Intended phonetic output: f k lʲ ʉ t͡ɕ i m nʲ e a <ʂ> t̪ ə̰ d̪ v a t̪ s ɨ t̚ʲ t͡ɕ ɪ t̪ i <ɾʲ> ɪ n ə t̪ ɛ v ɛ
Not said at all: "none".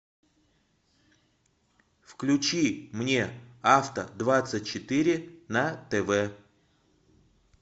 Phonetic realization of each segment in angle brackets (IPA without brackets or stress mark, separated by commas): f, ɾʲ